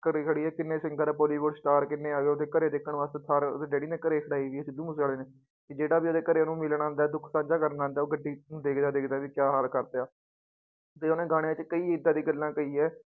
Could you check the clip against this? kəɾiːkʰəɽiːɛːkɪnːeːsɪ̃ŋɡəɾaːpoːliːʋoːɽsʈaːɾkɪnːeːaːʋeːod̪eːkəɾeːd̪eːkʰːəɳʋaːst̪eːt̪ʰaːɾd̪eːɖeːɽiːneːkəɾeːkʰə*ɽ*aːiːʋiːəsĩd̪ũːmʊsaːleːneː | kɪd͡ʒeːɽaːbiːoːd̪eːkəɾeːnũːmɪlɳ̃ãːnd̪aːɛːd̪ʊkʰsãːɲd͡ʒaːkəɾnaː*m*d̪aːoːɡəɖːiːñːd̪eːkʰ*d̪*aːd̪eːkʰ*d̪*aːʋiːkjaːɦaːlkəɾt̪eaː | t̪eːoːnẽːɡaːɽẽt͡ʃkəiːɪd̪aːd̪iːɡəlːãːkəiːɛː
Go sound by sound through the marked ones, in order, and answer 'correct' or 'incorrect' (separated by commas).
correct, incorrect, correct, correct